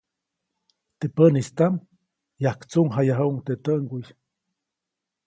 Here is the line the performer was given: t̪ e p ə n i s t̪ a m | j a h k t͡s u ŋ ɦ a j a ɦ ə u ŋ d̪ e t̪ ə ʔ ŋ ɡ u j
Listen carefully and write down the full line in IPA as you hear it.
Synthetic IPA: t̪ e p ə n i s t̪ a m | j a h k t͡s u ŋ ɦ a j a ɦ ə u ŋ t̪ e t̪ ə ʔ ŋ ɡ u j